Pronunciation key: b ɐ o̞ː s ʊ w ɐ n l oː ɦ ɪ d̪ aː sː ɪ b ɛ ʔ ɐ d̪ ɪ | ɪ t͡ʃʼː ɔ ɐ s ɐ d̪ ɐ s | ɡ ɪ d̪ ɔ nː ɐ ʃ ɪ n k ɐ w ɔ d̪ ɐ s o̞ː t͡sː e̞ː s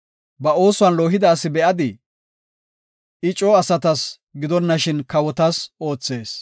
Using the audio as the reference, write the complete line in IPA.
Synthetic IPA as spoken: b ɐ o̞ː s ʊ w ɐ n l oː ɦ ɪ d̪ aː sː ɪ b ɛ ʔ ɐ d̪ ɪ | ɪ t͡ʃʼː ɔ ɐ s ɐ t̪ ɐ s | ɡ ɪ d̪ ɔ nː ɐ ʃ ɪ n k ɐ w ɔ t̪ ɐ s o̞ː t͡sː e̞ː s

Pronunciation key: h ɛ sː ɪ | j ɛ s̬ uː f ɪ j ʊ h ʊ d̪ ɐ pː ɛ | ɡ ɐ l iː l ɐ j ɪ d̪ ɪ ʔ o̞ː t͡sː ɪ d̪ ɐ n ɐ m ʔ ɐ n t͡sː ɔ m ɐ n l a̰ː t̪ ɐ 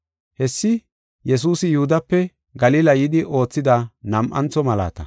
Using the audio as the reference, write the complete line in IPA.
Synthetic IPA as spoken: h ɛ sː ɪ | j ɛ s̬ uː s ɪ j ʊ h ʊ d̪ ɐ pː ɛ | ɡ ɐ l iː l ɐ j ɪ d̪ ɪ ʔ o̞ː t͡sː ɪ d̪ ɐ n ɐ m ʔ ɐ n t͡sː ɔ m ɐ l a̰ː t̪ ɐ

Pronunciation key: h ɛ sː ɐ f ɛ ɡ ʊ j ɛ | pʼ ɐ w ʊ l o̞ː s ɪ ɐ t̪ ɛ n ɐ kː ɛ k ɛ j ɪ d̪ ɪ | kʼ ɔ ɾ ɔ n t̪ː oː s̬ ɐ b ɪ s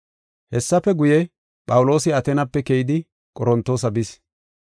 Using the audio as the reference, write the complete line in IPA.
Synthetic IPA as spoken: h ɛ sː ɐ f ɛ ɡ ʊ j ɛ | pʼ ɐ w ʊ l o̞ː s ɪ ɐ t̪ ɛ n ɐ pː ɛ k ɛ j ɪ d̪ ɪ | kʼ ɔ ɾ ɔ n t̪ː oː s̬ ɐ b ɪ s

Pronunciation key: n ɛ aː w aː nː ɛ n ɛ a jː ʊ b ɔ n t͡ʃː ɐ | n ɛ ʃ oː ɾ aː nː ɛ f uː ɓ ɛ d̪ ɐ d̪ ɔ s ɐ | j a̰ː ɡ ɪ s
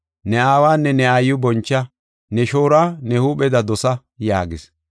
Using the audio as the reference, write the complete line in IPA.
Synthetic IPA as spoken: n ɛ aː w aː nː ɛ n ɛ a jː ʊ b ɔ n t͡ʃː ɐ | n ɛ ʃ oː ɾ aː n ɛ h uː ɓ ɛ d̪ ɐ d̪ ɔ s ɐ | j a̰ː ɡ ɪ s

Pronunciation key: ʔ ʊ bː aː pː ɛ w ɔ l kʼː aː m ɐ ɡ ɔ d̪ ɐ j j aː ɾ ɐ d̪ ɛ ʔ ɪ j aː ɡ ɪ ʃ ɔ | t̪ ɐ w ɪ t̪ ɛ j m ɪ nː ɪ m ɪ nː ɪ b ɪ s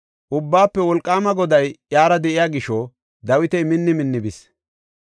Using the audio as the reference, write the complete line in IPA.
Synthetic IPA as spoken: ʔ ʊ bː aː pː ɛ w ɔ l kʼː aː m ɐ ɡ ɔ d̪ ɐ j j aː ɾ ɐ d̪ ɛ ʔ ɪ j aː ɡ ɪ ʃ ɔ | d̪ ɐ w ɪ t̪ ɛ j m ɪ nː ɪ m ɪ nː ɪ b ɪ s

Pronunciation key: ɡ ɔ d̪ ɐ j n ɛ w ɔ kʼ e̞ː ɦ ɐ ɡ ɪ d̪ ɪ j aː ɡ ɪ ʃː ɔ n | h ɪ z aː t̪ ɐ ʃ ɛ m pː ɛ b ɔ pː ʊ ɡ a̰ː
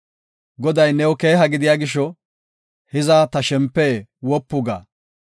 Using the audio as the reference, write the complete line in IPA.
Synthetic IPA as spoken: ɡ ɔ d̪ ɐ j n ɛ w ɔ k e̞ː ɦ ɐ ɡ ɪ d̪ ɪ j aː ɡ ɪ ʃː ɔ | h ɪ z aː t̪ ɐ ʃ ɛ m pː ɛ w ɔ pː ʊ ɡ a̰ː

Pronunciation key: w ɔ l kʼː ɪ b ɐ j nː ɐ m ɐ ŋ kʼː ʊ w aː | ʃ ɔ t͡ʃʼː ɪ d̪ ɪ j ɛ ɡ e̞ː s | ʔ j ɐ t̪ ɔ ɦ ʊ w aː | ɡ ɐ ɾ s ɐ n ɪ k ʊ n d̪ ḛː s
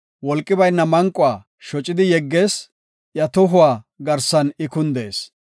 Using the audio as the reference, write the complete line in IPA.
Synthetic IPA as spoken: w ɔ l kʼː ɪ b ɐ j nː ɐ m ɐ ŋ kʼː ʊ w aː | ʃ ɔ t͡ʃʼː ɪ d̪ ɪ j ɛ ɡː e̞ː s | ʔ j ɐ t̪ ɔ ɦ ʊ w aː | ɡ ɐ ɾ s ɐ n ɪ k ʊ n d̪ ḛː s

